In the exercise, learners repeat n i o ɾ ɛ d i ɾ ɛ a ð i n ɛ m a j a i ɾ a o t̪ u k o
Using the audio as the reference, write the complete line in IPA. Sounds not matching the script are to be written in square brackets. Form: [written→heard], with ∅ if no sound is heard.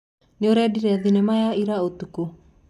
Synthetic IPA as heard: n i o ɾ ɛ d i ɾ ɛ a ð i n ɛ m a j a i ɾ a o t̪ u k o